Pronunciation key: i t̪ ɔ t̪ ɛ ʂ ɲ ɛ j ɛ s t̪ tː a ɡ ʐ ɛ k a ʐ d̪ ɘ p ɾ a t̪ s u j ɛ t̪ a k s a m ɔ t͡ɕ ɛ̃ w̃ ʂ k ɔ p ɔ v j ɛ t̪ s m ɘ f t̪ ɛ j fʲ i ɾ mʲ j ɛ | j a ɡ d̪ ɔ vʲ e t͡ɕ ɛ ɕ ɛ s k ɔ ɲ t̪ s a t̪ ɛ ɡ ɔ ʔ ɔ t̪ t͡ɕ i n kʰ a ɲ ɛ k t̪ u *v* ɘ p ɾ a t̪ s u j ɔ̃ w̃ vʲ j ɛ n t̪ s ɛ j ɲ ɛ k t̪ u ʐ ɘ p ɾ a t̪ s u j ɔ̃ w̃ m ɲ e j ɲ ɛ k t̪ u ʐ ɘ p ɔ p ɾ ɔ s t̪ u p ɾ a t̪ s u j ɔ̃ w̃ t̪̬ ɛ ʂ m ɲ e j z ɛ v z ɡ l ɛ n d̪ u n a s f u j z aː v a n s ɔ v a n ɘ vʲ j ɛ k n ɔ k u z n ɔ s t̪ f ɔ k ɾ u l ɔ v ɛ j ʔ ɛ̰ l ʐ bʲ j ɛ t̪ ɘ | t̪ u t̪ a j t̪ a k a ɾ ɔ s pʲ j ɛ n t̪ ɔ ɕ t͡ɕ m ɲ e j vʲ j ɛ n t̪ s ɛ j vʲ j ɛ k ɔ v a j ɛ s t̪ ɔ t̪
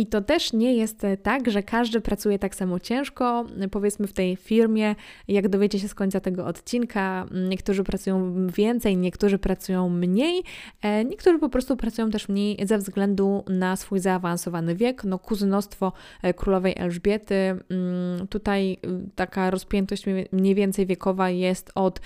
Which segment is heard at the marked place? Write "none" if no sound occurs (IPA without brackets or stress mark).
ʐ